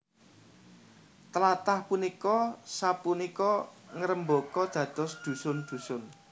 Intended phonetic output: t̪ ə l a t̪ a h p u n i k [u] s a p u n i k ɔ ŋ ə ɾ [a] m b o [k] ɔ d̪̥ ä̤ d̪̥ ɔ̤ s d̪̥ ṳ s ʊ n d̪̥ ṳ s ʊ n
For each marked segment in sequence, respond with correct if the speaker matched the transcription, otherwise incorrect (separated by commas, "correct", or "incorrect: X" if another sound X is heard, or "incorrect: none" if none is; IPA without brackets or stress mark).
incorrect: ɔ, incorrect: ə, correct